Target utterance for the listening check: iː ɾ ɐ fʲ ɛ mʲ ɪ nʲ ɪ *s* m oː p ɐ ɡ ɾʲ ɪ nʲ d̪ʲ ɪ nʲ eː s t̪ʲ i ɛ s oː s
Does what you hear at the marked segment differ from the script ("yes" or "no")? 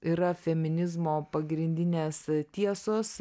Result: yes